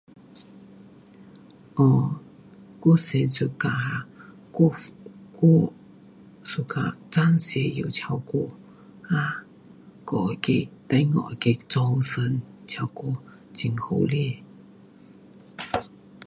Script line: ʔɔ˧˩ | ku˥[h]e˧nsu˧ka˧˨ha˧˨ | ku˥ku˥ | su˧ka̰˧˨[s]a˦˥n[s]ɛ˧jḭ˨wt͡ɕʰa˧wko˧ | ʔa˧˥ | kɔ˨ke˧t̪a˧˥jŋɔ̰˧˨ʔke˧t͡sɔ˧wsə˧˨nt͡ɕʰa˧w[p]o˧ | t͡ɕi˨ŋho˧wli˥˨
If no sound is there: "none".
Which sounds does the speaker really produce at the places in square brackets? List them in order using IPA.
s, t͡s, s, k

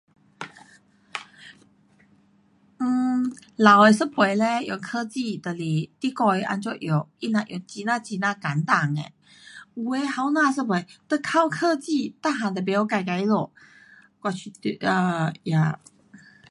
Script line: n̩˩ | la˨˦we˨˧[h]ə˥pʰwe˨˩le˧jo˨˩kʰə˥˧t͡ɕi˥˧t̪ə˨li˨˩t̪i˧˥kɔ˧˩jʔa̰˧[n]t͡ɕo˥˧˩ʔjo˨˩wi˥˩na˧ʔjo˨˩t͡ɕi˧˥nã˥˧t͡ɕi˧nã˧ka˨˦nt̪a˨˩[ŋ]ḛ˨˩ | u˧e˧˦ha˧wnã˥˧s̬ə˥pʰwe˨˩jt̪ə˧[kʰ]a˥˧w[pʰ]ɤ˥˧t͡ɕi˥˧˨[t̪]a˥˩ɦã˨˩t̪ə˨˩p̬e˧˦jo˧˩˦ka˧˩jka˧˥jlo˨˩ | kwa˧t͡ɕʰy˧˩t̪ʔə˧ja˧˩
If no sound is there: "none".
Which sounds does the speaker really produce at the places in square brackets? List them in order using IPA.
s, n, ŋ, kʰ, kʰ, t̪

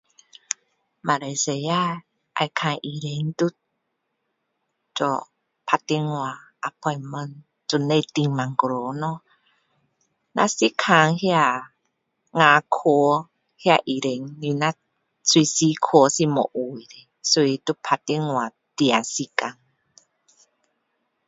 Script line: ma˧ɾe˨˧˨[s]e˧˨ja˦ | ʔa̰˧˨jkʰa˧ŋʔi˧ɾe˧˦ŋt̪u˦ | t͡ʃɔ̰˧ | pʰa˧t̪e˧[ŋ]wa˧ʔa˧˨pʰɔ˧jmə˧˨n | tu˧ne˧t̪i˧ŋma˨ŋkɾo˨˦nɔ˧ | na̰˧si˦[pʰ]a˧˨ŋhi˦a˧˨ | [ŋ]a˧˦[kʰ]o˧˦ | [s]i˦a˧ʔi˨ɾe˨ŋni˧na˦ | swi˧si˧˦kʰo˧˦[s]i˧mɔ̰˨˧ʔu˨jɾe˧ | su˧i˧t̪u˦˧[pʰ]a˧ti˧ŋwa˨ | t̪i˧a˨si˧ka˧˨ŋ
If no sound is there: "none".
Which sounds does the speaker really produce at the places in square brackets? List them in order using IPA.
s, ŋ, kʰ, ŋ, kʰ, h, s, pʰ

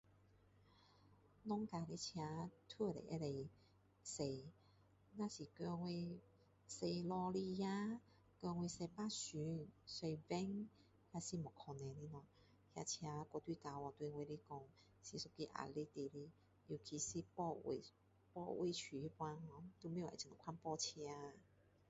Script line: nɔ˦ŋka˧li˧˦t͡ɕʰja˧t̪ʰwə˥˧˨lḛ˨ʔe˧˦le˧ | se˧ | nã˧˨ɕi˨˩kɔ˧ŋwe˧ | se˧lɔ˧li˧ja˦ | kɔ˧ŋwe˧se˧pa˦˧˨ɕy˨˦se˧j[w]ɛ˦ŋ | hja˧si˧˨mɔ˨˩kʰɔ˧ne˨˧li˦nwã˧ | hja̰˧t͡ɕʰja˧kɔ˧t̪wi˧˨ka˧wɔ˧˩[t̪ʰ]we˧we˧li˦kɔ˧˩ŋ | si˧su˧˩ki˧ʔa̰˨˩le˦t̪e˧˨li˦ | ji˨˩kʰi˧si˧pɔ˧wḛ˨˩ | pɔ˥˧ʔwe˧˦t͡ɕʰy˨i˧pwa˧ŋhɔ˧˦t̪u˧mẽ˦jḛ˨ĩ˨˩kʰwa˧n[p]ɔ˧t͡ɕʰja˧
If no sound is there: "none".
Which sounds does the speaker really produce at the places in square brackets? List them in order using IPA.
v, t̪, p

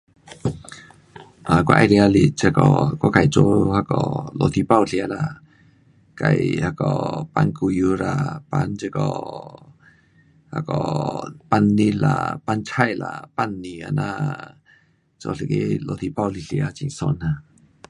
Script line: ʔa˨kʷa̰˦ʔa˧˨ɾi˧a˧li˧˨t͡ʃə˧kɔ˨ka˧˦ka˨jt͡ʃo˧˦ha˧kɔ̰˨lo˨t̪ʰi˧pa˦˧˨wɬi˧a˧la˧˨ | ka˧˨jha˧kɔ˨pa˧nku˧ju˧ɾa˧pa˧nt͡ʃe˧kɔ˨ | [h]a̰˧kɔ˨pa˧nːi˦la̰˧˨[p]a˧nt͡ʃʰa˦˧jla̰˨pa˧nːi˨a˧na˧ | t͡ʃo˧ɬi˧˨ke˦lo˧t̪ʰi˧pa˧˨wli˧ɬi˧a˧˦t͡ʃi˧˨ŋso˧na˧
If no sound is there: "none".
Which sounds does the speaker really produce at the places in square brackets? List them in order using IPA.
h, p

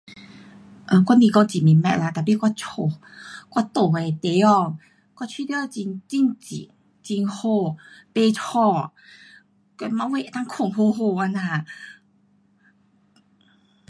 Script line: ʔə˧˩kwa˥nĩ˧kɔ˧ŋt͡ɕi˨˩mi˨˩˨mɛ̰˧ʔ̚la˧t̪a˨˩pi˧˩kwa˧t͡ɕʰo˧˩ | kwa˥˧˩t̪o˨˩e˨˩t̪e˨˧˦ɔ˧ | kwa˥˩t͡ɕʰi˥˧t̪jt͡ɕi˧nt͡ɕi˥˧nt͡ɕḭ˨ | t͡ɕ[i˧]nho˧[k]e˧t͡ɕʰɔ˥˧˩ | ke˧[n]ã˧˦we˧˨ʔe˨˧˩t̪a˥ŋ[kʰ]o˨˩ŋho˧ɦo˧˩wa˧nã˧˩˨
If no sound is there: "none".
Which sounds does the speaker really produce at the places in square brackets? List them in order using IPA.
i˧, p, m, kʰ

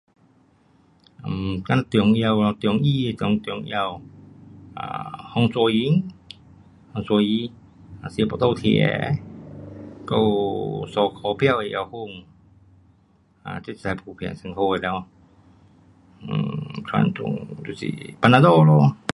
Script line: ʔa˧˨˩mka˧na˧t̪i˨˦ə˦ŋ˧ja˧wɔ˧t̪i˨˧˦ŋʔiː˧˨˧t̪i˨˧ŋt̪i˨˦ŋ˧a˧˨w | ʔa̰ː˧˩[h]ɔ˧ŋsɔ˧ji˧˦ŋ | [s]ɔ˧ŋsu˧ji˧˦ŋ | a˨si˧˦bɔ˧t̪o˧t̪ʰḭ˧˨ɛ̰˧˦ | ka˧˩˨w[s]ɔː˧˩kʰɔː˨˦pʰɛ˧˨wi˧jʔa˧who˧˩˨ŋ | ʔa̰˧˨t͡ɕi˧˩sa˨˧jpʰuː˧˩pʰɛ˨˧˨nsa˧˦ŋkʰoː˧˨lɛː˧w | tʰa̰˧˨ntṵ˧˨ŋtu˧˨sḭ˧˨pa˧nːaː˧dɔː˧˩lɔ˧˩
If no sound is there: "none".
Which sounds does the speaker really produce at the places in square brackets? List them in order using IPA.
h, h, s

